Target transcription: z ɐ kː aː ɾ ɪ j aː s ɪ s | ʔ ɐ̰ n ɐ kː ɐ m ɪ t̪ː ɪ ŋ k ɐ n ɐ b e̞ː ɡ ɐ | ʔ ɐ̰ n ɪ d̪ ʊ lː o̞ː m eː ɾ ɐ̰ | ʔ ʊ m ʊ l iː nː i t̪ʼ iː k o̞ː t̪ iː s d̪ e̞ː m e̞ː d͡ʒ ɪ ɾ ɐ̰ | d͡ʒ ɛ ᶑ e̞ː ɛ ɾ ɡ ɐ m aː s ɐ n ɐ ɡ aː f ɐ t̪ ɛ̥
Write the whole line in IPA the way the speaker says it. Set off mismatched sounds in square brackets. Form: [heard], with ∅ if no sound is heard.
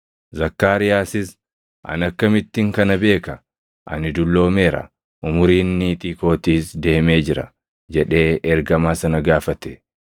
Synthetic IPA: z ɐ kː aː ɾ ɪ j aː s ɪ s | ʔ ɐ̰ n ɐ kː ɐ m ɪ t̪ː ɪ ŋ k ɐ n ɐ b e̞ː [k] ɐ | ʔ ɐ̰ n ɪ d̪ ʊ lː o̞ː m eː ɾ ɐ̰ | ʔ ʊ m ʊ [ɾ] iː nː i t̪ʼ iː k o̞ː t̪ iː s d̪ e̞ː m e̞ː d͡ʒ ɪ ɾ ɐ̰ | d͡ʒ ɛ ᶑ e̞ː ɛ ɾ ɡ ɐ m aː s ɐ n ɐ ɡ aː f ɐ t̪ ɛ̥